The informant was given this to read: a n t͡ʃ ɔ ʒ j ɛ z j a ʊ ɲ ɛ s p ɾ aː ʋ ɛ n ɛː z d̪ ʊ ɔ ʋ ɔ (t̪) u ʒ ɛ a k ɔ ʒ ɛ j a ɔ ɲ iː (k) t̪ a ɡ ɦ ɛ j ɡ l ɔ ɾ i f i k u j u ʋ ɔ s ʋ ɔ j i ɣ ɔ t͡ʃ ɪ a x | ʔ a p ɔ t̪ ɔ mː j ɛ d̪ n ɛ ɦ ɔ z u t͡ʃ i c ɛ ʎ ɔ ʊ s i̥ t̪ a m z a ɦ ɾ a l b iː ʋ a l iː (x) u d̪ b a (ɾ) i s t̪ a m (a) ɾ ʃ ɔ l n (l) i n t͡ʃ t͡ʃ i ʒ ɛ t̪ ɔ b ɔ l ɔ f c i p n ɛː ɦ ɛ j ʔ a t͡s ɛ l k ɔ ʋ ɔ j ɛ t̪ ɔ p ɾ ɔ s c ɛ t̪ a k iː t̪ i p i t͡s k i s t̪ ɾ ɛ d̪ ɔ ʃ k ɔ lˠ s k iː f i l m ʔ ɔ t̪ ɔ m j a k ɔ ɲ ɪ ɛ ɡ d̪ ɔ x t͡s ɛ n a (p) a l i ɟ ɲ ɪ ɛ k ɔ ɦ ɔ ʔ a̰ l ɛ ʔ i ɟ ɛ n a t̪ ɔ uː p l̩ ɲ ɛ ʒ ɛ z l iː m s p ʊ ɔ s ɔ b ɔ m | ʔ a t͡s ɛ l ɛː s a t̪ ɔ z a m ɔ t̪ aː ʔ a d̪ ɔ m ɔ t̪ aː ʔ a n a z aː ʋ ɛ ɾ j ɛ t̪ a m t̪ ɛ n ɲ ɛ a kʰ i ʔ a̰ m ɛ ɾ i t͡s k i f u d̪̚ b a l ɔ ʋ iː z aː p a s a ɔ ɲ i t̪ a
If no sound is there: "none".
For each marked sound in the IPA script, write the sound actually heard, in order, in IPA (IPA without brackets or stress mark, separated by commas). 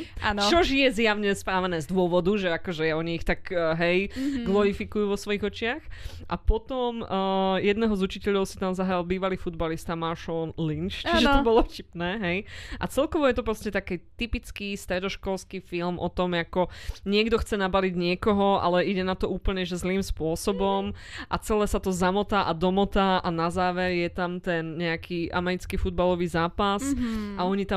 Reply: d̪, x, f, l, a, l, b